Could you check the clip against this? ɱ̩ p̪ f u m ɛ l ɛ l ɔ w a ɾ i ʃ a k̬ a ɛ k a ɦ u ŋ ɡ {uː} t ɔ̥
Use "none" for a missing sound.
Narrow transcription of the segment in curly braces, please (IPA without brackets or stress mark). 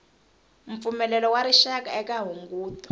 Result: uː